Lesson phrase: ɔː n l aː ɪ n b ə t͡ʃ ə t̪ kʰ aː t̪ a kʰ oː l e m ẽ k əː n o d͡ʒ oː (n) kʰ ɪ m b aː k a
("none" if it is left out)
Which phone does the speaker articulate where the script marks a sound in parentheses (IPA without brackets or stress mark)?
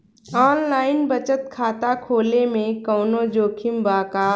none